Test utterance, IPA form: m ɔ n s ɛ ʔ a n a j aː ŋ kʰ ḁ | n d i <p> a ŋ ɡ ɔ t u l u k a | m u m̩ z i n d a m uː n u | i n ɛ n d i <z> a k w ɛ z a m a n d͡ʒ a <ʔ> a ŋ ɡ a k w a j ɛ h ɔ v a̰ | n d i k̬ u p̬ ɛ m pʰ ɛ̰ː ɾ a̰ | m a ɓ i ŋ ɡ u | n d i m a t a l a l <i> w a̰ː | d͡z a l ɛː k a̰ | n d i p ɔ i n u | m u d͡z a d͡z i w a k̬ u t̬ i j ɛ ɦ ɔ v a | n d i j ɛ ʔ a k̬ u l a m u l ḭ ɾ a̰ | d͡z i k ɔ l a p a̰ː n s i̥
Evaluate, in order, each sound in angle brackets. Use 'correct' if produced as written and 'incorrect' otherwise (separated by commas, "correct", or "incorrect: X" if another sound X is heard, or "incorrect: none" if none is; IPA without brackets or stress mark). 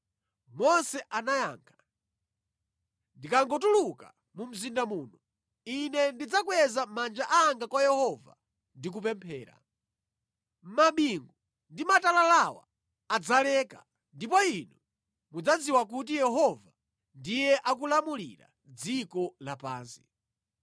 incorrect: k, incorrect: d͡z, correct, incorrect: a